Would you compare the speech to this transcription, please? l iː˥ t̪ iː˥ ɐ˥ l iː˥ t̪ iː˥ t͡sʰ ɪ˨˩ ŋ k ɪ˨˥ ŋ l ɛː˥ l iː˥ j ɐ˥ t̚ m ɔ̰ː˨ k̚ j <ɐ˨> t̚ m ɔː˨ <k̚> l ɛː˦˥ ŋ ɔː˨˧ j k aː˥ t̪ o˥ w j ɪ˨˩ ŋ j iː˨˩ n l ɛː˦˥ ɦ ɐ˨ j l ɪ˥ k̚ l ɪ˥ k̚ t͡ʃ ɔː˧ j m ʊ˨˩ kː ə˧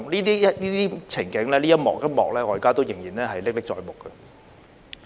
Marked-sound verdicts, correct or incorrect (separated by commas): incorrect, correct